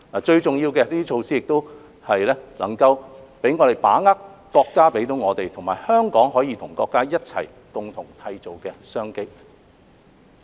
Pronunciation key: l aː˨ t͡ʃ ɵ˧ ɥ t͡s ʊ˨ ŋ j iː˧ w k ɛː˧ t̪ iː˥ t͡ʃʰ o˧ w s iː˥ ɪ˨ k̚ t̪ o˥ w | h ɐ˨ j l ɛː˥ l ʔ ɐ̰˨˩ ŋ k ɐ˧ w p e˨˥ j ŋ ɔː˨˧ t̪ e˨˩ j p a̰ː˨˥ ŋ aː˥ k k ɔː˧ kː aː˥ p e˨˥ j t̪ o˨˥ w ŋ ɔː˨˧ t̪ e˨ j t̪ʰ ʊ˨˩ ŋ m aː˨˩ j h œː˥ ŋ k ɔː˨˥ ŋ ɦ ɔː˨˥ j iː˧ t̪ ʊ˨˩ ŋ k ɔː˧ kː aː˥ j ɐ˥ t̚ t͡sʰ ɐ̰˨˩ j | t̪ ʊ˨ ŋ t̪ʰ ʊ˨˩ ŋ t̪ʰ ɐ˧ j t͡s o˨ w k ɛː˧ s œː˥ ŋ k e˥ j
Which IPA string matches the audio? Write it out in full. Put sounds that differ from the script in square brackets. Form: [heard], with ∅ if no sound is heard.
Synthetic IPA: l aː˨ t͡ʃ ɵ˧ ɥ t͡s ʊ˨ ŋ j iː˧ w k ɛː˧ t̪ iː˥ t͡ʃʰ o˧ w s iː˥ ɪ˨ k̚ t̪ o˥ w | h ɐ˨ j l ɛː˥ l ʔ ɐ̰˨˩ ŋ k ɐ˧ w p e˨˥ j ŋ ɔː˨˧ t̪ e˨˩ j p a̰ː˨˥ ŋ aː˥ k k ɔː˧ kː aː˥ p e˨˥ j t̪ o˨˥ w ŋ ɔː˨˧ t̪ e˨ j t̪ʰ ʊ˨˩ ŋ m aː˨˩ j h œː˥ ŋ k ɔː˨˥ ŋ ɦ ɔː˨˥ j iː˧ [t̪ʰ] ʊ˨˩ ŋ k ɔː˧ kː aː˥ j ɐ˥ t̚ t͡sʰ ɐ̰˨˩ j | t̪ ʊ˨ ŋ t̪ʰ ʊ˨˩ ŋ t̪ʰ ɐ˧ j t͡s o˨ w k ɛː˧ s œː˥ ŋ k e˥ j